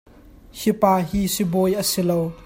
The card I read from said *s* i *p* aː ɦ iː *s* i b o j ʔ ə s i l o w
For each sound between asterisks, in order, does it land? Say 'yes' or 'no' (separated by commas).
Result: no, yes, yes